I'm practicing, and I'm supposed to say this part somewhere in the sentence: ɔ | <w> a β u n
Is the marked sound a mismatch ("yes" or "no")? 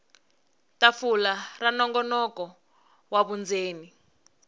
no